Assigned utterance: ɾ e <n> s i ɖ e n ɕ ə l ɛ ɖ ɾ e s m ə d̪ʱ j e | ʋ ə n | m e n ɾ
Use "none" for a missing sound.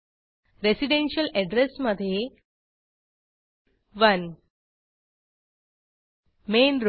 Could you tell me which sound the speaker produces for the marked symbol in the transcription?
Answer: none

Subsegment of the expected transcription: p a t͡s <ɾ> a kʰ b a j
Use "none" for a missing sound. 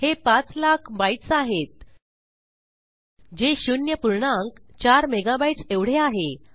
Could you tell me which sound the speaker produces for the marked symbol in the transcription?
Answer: l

